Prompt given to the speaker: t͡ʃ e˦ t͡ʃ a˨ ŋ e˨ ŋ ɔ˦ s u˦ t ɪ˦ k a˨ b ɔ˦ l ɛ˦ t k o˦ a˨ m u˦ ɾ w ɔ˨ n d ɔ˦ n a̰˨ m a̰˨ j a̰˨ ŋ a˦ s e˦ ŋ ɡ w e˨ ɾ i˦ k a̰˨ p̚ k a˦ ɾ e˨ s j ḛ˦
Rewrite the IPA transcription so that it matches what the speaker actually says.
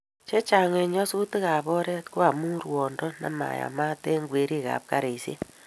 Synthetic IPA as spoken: t͡ʃ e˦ t͡ʃ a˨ ŋ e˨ ɲ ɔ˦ s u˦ t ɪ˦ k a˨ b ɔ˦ ɾ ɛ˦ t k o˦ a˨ m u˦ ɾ w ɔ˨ n d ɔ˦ n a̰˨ m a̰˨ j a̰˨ m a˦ t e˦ ŋ ɡ w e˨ ɾ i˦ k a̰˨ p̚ k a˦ ɾ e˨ s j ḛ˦

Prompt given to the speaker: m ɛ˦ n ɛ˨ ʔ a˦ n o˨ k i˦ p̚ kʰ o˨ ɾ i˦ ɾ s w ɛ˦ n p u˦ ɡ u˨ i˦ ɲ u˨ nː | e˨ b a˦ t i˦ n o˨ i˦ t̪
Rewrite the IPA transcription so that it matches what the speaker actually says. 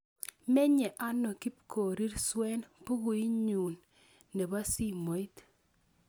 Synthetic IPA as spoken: m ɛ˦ ɲ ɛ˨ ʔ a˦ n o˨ k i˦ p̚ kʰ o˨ ɾ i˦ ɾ s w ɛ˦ n p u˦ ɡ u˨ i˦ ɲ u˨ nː | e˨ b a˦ s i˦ m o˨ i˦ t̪

